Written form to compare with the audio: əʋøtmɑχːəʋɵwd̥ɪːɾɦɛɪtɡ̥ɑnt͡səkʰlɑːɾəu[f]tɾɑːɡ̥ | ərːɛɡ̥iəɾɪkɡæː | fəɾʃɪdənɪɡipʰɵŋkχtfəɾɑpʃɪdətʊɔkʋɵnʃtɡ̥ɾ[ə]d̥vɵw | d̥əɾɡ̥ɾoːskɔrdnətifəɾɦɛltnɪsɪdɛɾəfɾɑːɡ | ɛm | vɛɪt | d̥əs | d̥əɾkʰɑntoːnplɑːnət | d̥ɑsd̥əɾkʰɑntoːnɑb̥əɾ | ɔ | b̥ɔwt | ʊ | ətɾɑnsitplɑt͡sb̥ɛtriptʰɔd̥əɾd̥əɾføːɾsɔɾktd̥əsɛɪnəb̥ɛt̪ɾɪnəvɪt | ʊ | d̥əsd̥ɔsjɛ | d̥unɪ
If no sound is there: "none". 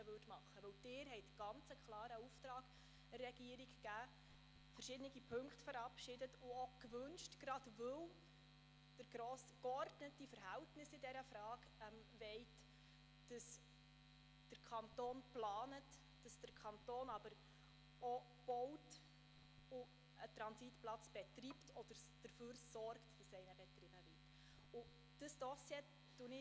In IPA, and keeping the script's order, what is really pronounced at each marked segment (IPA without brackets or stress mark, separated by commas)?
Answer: f, ɑ